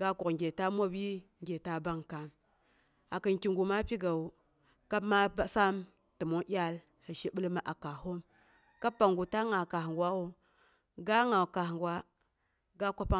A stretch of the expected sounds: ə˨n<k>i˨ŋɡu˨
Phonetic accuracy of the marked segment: correct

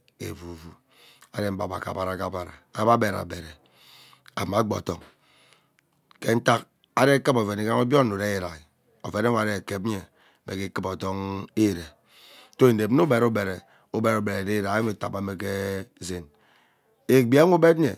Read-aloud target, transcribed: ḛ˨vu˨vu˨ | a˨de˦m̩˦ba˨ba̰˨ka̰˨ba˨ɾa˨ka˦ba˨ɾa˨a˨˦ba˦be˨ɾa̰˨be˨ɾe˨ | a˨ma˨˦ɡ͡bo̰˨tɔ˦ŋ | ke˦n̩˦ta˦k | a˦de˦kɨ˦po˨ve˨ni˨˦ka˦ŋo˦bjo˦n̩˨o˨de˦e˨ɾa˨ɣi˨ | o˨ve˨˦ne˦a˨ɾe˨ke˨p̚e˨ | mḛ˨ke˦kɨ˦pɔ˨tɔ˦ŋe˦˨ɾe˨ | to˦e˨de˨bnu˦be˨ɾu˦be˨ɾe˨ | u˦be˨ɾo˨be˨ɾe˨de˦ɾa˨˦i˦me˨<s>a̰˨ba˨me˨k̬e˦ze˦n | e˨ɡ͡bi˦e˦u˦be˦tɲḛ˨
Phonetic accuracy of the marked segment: incorrect: t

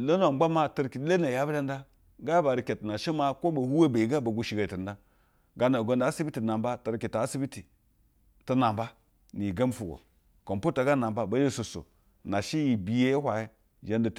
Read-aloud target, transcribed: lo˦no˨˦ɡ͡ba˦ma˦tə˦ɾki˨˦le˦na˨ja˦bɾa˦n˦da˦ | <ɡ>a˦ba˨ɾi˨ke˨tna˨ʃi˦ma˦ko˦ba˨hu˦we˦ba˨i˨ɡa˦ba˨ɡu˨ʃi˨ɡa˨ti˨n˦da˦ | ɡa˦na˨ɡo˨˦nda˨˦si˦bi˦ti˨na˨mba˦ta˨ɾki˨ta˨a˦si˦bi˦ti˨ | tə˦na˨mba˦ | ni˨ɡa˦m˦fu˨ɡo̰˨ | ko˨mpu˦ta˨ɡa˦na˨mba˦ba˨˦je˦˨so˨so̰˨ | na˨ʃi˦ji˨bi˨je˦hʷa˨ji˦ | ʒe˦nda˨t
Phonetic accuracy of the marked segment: correct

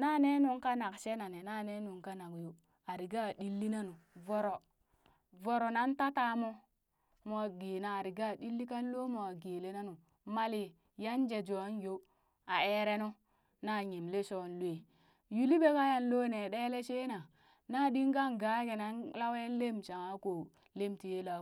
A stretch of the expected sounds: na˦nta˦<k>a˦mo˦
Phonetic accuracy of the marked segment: incorrect: t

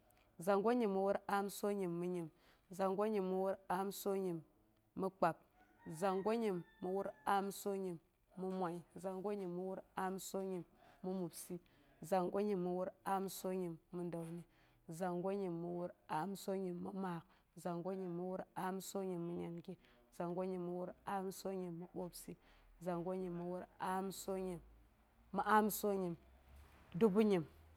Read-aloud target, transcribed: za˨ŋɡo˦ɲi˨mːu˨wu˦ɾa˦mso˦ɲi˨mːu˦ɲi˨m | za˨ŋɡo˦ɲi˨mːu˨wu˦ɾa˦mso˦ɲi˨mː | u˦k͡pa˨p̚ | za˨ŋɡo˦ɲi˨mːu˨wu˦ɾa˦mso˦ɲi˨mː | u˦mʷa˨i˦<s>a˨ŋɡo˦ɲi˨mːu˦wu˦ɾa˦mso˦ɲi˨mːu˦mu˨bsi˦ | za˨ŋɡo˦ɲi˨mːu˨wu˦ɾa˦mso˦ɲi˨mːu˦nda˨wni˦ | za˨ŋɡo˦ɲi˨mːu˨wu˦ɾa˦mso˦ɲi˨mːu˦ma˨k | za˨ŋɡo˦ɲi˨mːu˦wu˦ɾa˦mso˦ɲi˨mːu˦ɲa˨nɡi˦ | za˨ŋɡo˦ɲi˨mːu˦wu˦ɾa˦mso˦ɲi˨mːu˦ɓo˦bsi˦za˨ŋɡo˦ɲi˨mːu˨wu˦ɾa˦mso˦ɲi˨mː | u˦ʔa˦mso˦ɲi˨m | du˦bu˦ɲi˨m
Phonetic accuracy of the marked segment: incorrect: z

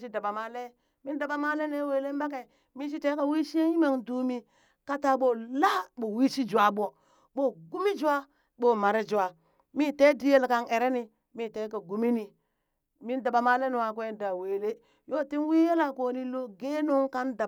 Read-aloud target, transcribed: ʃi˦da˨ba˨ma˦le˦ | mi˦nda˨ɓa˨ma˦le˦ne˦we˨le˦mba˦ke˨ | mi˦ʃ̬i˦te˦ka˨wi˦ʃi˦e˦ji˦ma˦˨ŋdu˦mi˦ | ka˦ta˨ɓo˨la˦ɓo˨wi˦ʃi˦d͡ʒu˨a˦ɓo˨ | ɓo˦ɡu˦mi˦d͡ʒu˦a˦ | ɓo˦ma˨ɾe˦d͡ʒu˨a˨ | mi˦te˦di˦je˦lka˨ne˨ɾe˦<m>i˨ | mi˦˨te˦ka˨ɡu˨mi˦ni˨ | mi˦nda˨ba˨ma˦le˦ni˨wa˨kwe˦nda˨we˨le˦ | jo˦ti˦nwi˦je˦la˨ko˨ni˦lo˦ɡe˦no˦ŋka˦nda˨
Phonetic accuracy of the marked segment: incorrect: n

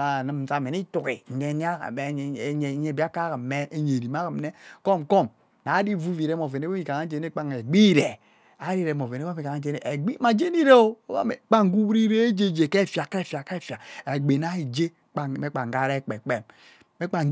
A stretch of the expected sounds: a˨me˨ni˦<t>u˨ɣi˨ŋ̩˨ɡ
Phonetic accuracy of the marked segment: correct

